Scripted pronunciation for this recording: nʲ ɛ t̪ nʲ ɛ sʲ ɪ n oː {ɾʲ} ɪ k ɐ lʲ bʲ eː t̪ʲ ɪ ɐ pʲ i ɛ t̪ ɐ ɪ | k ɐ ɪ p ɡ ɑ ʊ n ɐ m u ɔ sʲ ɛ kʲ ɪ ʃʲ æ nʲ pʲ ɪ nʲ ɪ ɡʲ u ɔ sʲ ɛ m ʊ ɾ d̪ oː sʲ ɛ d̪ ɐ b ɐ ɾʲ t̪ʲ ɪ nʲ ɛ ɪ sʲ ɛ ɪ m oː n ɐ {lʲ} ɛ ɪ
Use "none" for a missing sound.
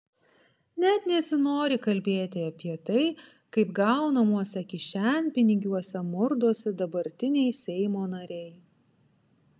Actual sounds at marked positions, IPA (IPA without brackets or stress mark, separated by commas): ɾʲ, ɾʲ